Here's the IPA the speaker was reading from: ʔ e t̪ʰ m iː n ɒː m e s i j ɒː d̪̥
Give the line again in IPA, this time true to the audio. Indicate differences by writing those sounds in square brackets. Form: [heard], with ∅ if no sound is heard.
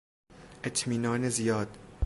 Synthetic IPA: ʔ e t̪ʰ m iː n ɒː [n] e [z] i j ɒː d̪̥